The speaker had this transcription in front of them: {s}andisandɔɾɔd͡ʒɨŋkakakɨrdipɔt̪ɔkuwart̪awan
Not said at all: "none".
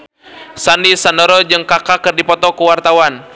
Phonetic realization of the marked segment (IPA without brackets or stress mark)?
s